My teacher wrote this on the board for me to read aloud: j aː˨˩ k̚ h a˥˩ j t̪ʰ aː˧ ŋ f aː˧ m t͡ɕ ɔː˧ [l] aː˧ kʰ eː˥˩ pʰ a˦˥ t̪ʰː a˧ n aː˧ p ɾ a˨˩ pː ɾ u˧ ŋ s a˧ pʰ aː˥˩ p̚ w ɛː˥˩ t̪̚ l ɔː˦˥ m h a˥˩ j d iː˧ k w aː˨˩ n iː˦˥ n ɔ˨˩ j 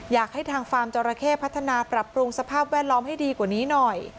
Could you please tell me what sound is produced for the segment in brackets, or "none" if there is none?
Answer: ɾ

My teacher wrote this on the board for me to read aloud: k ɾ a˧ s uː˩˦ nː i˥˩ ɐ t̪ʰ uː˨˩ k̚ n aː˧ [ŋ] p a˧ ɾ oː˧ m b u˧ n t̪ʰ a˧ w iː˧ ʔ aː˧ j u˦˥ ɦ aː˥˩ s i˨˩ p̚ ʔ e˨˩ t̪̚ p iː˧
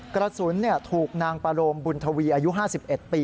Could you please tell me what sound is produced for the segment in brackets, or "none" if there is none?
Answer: ŋ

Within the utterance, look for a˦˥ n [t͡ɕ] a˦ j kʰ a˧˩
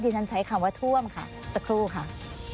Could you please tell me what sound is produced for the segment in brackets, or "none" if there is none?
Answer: t͡ɕʰ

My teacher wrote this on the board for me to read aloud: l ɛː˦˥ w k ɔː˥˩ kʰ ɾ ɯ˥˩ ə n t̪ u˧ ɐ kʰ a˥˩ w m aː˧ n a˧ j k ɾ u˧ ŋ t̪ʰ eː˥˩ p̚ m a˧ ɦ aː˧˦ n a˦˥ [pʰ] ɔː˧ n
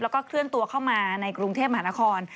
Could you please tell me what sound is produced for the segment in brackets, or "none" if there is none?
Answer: kʰ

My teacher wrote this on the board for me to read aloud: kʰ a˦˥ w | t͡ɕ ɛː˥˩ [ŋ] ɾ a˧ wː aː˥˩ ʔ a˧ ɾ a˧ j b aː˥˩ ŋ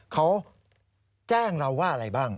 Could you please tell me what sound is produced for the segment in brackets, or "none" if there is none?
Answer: ŋ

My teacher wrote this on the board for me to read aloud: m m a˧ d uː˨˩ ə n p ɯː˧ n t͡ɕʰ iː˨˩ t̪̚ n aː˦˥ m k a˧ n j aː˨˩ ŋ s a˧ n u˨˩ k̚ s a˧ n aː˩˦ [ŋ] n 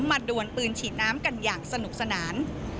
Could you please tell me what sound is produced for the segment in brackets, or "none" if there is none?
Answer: none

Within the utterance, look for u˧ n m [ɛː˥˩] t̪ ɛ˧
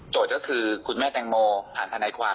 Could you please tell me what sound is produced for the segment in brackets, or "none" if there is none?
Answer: ɛː˥˩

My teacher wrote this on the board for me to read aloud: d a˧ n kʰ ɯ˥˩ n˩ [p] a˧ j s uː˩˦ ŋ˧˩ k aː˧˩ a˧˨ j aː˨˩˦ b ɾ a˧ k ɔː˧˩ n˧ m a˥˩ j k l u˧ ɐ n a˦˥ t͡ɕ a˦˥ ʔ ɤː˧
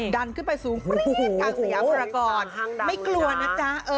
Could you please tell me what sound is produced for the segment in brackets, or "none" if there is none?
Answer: p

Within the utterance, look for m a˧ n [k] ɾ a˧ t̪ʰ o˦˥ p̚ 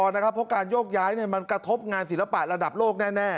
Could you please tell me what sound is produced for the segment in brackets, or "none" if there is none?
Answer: k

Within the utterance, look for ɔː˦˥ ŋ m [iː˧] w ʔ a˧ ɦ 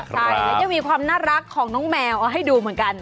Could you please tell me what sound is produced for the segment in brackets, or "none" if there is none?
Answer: ɛː˧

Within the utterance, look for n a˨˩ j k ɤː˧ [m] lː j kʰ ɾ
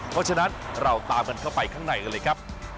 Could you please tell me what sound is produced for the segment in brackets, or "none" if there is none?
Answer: none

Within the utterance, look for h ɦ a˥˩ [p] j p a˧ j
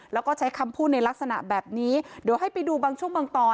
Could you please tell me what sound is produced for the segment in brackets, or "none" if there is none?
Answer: none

